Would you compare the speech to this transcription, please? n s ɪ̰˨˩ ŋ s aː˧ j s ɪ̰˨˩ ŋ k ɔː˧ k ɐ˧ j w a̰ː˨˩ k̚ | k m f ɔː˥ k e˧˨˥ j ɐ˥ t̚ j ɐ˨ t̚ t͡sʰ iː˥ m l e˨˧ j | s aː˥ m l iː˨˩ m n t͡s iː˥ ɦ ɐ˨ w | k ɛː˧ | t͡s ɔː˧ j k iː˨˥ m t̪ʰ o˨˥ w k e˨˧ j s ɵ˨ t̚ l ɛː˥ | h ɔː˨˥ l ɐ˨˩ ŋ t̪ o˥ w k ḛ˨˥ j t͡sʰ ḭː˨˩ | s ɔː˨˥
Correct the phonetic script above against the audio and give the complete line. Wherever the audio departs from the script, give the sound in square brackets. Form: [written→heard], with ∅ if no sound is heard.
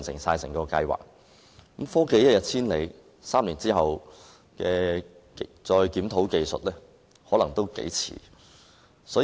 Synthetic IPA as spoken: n s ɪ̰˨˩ ŋ s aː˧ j s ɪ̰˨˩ ŋ k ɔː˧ k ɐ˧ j w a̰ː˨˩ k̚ | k m f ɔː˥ k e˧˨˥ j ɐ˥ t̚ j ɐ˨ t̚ t͡sʰ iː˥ [m→n] l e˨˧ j | s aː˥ m l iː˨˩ [m→∅] n t͡s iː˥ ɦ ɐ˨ w | k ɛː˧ | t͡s ɔː˧ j k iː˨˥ m t̪ʰ o˨˥ w k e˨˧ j s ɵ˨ t̚ l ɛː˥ | h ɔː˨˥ l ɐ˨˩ ŋ t̪ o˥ w k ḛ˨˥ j t͡sʰ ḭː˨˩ | s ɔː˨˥